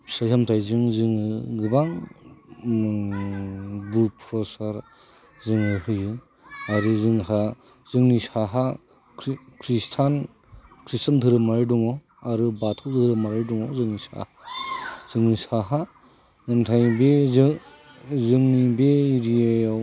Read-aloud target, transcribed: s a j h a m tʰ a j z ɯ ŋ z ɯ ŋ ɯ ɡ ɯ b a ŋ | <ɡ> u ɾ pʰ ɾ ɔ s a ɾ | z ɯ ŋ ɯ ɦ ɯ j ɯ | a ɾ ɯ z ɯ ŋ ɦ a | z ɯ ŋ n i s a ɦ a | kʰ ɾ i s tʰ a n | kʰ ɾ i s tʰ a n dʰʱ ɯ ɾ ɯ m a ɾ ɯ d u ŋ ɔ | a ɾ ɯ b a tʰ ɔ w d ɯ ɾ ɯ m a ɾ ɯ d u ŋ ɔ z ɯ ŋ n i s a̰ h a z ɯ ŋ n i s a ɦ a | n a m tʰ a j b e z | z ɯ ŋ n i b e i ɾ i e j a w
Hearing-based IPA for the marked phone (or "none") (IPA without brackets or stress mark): b